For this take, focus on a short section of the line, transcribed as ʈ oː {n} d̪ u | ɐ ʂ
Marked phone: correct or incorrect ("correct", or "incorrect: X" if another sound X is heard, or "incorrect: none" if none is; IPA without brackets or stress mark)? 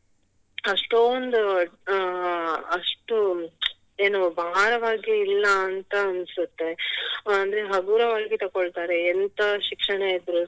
correct